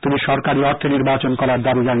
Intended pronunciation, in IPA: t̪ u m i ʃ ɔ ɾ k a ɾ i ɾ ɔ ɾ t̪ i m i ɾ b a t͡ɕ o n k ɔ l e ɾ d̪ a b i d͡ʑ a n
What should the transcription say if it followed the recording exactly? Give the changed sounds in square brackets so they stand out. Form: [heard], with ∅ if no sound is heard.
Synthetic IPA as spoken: t̪ u m i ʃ ɔ ɾ k a ɾ i [∅] ɔ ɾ [t̪ʰ] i [n] i ɾ b a t͡ɕ o n k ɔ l [a] ɾ d̪ a b i d͡ʑ a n